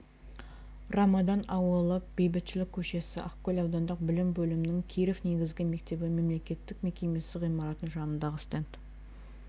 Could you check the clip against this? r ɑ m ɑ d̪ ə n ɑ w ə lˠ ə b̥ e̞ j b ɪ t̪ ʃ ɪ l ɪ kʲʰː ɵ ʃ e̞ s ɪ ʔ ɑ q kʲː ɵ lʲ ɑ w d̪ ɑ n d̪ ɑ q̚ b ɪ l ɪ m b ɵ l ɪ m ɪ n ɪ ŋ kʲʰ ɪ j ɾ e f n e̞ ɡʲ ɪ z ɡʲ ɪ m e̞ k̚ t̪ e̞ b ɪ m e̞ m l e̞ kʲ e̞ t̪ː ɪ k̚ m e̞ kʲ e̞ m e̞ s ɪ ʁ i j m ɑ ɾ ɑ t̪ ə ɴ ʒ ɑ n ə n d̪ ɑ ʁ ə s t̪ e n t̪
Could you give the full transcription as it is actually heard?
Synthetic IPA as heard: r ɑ m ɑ d̪ ɑ n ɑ w ə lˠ ə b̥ e̞ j b ɪ t̪ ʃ ɪ l ɪ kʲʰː ɵ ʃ e̞ s ɪ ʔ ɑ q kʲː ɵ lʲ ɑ w d̪ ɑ n d̪ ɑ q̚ b ɪ l ɪ m b ɵ l ɪ m ɪ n ɪ ŋ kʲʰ i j ɾ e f n e̞ ɡʲ ɪ z ɡʲ ɪ m e̞ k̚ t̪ e̞ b ɪ m e̞ m l e̞ kʲ e̞ t̪ː ɪ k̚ m e̞ kʲ e̞ m e̞ s ɪ ʁ i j m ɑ ɾ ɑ t̪ ə n ʒ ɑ n ə n d̪ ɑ ʁ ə s t̪ e n t̪

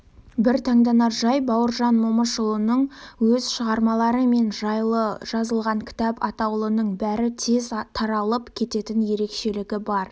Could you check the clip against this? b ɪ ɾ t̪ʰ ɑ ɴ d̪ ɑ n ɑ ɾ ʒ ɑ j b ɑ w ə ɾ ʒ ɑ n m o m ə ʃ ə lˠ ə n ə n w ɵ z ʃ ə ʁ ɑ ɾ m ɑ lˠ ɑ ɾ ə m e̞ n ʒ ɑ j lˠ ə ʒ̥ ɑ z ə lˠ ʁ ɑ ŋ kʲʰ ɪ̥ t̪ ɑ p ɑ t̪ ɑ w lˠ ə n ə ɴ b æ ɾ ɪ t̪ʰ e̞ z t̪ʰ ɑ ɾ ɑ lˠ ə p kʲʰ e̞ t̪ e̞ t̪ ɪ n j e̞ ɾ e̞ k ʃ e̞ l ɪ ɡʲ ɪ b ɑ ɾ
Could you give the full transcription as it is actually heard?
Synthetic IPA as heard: b ɪ ɾ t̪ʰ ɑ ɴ d̪ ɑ n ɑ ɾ ʒ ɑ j b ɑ w ə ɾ ʒ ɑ n m o m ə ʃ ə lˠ ə n ə ɴ w ɵ z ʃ ə ʁ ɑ ɾ m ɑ lˠ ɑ ɾ ə m e̞ n ʒ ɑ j lˠ ə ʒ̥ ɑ z ə lˠ ʁ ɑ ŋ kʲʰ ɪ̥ t̪ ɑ p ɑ t̪ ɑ w lˠ ə n ə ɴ b æ ɾ ɪ t̪ʰ e̞ z t̪ʰ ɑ ɾ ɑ lˠ ə p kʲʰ e̞ t̪ e̞ t̪ ɪ n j e̞ ɾ e̞ k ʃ e̞ l ɪ ɡʲ ɪ b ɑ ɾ

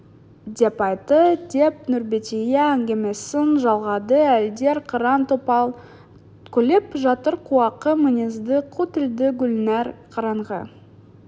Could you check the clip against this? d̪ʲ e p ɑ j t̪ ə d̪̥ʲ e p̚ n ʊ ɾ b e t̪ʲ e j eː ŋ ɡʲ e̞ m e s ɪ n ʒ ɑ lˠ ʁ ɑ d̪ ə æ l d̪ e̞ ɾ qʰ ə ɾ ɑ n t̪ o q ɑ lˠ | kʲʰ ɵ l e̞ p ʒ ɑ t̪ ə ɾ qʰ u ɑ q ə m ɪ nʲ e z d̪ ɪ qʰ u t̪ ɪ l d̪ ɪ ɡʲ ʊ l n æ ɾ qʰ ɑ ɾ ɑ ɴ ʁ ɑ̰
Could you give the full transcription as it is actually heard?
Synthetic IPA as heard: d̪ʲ e p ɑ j t̪ ə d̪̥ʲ e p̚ n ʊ ɾ b e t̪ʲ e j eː ŋ ɡʲ e̞ m e s ɪ n ʒ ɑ lˠ ʁ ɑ d̪ ə æ l d̪ e̞ ɾ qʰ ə ɾ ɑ n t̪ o p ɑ lˠ | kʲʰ ɵ l e̞ p ʒ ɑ t̪ ə ɾ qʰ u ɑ q ə m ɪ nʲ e z d̪ ɪ qʰ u t̪ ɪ l d̪ ɪ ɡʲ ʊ l n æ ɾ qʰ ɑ ɾ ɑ ɴ ʁ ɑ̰

